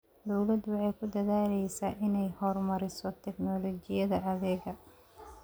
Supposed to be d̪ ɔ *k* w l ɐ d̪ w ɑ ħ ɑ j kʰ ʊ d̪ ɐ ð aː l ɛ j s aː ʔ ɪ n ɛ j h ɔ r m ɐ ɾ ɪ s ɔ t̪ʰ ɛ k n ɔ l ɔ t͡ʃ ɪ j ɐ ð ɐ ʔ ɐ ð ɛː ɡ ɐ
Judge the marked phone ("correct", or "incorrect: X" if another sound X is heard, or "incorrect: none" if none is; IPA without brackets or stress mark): incorrect: none